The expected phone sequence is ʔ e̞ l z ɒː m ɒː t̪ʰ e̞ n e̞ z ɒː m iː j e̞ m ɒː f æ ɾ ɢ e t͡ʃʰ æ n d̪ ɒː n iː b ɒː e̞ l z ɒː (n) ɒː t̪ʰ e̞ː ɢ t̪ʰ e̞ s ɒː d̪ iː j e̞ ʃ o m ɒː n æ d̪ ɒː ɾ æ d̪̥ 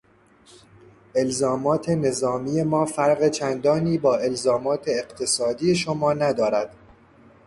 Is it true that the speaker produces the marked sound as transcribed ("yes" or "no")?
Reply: no